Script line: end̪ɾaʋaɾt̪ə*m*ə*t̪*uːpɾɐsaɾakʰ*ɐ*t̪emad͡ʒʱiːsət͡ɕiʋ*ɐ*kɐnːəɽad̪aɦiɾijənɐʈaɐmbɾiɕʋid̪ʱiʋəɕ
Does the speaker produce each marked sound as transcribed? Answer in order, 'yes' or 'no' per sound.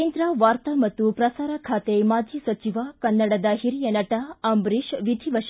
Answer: yes, yes, no, no

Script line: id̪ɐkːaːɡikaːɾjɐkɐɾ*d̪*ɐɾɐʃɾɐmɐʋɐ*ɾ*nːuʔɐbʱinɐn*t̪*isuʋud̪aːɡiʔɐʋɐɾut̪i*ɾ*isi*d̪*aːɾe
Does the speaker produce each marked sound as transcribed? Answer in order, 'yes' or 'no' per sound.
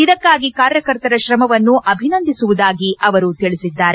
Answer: no, no, no, no, no

